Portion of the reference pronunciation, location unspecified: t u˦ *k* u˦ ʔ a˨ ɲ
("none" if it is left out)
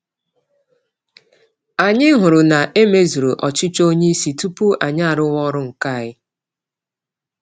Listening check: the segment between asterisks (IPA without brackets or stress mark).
p